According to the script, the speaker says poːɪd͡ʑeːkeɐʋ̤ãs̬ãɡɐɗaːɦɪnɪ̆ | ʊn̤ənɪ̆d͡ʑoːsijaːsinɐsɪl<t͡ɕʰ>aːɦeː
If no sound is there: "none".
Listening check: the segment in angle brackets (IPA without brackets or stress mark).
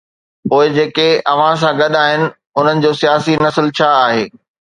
t͡ɕʰ